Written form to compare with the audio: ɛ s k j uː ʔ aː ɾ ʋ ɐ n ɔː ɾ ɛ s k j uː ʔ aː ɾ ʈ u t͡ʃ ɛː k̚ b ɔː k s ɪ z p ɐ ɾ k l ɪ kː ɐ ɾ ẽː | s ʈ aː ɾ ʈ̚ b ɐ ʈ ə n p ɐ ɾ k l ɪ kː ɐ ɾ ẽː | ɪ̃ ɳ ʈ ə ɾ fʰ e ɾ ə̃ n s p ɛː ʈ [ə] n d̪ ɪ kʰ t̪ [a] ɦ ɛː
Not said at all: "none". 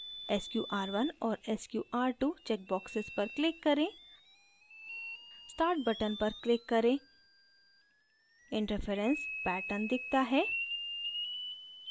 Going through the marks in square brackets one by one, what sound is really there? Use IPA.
ə, a

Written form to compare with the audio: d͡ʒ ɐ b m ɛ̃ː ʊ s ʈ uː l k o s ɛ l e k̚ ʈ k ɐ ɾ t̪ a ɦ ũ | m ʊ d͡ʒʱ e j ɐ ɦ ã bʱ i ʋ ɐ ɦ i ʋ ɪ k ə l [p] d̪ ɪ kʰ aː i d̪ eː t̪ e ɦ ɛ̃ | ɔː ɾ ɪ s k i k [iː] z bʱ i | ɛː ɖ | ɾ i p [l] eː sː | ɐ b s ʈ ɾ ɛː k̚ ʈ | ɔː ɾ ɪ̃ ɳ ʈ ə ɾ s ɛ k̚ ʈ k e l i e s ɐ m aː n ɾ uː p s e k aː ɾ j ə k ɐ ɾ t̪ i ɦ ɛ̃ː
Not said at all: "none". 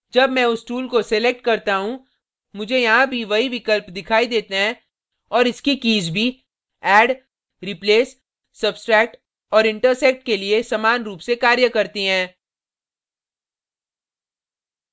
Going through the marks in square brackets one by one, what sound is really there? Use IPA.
p, iː, l

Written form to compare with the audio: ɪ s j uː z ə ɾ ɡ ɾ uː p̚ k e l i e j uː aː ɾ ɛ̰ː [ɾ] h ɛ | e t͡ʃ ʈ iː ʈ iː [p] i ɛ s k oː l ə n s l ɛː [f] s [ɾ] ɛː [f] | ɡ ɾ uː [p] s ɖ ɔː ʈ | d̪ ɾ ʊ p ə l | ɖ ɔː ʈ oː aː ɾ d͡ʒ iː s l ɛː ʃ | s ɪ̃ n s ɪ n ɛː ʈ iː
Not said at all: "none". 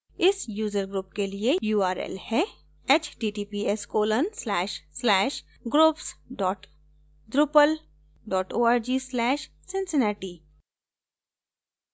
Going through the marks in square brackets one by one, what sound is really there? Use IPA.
l, p, ʃ, l, ʃ, p

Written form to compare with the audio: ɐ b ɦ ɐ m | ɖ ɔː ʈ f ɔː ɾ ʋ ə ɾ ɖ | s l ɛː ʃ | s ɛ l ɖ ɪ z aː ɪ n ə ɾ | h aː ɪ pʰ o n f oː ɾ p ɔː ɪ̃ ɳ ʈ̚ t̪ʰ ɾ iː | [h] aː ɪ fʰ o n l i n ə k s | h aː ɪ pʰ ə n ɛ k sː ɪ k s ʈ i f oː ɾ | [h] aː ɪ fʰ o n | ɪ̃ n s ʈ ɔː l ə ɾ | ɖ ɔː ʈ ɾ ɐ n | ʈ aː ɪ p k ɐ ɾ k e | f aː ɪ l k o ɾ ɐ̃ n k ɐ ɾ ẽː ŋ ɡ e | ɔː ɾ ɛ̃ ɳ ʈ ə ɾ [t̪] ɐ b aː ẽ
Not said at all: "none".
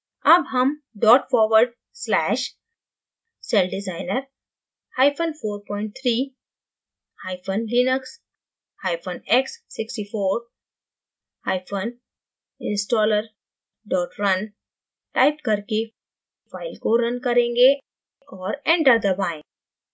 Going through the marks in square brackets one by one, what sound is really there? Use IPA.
h, h, d̪

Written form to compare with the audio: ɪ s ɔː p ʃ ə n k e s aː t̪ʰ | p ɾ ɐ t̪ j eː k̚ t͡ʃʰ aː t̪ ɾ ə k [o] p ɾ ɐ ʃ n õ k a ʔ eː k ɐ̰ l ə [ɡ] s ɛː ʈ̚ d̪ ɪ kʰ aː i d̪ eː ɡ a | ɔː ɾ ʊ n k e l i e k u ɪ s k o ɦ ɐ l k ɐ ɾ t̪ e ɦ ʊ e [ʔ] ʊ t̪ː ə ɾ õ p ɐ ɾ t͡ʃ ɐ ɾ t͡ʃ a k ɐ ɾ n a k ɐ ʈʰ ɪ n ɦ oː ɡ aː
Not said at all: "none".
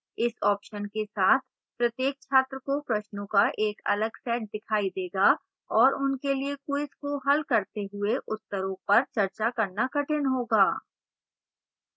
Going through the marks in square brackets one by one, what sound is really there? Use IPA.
o, ɡ, ʔ

